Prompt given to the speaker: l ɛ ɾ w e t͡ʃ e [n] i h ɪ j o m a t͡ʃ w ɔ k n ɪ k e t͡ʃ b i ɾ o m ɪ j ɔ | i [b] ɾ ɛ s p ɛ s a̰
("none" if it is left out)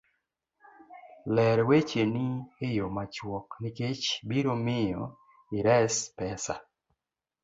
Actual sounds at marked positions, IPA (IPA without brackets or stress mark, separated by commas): n, none